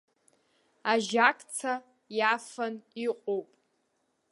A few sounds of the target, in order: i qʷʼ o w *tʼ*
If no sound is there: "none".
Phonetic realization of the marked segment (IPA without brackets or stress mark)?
pʼ